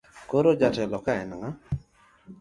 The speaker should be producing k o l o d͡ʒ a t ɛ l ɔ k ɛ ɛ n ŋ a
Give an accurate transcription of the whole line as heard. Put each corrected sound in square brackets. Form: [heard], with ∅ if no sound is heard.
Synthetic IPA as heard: k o [ɾ] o d͡ʒ a t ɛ l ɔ k [a] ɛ n ŋ a